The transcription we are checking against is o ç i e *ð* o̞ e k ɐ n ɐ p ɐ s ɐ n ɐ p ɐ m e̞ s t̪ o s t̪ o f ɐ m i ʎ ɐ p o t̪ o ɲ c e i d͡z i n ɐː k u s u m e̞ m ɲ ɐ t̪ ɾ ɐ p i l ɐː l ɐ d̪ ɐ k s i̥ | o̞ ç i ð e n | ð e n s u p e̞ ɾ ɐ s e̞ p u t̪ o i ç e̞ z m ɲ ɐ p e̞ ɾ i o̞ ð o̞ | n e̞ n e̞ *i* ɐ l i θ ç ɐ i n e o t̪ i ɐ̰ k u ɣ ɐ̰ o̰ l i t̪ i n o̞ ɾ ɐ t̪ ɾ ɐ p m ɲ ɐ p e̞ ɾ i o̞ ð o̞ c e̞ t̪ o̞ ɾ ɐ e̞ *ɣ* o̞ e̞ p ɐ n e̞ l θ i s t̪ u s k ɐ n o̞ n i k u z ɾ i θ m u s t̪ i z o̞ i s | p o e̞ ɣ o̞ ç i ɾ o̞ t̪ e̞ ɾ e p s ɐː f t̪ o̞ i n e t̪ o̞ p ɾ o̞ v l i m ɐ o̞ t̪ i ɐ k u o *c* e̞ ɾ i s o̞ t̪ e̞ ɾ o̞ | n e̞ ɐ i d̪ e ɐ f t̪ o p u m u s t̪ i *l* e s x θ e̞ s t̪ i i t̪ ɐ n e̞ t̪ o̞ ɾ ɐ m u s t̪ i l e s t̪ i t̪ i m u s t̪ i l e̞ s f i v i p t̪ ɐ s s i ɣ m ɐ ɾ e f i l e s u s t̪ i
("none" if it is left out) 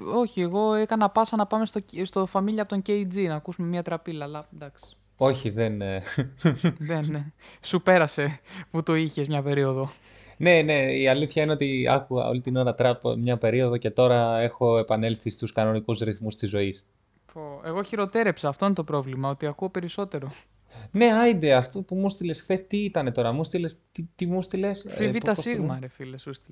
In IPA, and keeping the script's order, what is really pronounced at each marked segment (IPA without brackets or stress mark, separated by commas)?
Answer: ɣ, i, x, p, l